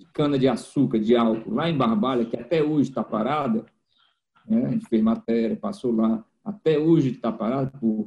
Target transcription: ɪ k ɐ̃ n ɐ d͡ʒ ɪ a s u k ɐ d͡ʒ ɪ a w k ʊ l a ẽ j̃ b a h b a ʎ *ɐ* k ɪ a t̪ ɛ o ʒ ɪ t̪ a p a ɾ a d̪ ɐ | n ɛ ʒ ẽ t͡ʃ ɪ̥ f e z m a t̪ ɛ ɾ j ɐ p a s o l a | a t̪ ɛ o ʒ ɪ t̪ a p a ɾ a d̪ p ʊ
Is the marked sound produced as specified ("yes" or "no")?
yes